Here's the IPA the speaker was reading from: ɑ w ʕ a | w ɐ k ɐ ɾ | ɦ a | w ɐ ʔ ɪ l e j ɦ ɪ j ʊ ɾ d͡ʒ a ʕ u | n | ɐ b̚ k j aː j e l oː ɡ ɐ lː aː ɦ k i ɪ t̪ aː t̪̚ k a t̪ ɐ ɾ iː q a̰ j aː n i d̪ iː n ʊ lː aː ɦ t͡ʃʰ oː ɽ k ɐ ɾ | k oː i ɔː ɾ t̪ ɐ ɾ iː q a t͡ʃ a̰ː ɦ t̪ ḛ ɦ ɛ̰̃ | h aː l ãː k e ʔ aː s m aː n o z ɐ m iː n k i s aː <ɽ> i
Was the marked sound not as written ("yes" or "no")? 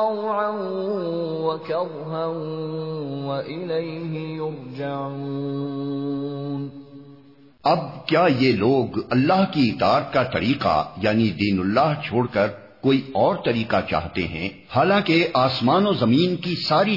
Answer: yes